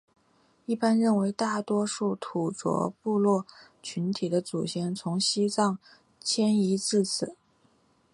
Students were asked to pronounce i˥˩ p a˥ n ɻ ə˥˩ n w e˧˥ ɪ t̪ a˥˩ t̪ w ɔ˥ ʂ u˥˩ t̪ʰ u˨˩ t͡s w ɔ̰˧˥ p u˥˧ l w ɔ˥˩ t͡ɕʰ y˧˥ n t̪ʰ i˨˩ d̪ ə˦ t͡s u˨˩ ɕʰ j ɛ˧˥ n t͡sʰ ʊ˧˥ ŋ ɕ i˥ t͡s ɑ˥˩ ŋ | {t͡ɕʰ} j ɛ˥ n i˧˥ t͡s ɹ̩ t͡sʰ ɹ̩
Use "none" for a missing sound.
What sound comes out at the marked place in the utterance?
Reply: t͡ɕʰ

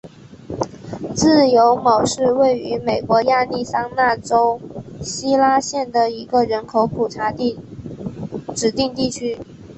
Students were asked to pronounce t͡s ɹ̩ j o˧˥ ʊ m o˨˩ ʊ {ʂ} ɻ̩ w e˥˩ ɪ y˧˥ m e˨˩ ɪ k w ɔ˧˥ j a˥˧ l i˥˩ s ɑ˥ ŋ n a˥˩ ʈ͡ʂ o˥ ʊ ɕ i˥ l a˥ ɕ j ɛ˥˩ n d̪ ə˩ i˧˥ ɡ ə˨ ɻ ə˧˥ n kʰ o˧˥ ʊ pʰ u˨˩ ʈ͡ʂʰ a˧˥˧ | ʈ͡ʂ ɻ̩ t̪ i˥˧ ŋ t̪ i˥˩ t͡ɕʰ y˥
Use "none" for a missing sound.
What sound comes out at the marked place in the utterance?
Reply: ʂ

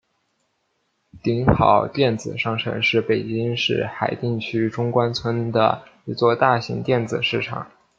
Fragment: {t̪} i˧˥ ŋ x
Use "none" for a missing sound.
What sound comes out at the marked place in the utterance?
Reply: t̪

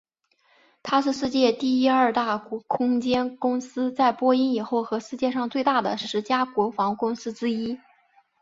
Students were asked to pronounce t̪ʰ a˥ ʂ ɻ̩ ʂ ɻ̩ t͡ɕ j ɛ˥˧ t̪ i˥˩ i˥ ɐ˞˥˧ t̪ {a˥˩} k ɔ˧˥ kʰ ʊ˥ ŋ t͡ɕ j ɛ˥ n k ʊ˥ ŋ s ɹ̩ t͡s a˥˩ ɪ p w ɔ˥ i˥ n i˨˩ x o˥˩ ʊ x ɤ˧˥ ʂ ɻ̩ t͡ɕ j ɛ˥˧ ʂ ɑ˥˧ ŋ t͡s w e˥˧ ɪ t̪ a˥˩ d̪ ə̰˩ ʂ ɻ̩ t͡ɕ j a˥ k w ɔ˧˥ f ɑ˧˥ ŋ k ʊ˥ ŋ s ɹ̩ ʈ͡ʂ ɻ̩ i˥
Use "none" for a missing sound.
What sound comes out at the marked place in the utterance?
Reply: a˥˩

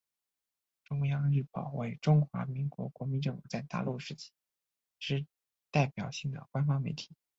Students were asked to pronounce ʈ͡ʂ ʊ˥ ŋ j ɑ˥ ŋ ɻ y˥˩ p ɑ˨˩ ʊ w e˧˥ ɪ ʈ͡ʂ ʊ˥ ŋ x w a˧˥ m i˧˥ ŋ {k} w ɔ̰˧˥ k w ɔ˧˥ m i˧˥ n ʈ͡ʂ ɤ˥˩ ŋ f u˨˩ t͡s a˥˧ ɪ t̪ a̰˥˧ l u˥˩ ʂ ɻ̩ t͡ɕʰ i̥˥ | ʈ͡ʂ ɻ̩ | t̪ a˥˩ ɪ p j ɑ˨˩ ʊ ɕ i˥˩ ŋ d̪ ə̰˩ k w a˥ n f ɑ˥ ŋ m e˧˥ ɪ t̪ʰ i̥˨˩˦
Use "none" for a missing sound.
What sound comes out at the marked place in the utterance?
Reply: k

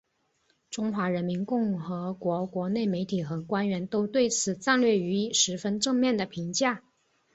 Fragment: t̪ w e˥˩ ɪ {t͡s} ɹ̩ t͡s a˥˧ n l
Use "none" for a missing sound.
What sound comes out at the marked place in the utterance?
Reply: t͡sʰ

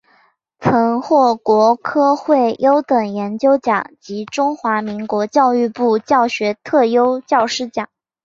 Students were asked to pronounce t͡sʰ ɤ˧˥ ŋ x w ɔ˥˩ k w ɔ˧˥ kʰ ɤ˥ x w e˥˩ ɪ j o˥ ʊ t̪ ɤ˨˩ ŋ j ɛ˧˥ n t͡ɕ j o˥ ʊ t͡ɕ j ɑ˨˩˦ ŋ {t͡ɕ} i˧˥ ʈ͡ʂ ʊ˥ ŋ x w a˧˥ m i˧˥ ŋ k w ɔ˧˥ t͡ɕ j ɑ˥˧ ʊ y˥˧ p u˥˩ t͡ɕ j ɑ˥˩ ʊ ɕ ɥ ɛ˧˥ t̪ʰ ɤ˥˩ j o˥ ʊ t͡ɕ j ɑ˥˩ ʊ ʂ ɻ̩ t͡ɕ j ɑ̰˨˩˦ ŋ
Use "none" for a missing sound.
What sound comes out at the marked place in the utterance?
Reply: t͡ɕ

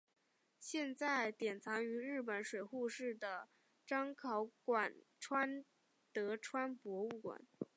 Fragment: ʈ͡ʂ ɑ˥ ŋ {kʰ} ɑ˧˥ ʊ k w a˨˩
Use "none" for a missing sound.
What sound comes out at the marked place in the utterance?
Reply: kʰ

